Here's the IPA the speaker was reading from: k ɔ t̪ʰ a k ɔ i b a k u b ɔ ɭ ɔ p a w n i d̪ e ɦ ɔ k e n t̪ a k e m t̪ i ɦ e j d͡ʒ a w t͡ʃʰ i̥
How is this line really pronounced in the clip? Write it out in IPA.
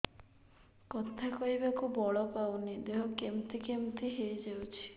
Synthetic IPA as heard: k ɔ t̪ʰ a k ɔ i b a k u b ɔ ɭ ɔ p a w n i d̪ e ɦ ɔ k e m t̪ i k e m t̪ i ɦ e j d͡ʒ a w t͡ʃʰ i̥